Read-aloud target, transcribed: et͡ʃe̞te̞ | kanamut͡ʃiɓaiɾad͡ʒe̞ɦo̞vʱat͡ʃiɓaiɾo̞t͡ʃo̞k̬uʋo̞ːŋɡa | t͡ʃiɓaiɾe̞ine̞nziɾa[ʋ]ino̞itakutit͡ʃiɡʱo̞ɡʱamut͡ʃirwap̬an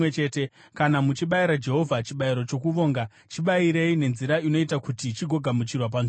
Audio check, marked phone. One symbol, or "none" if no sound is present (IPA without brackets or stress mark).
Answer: none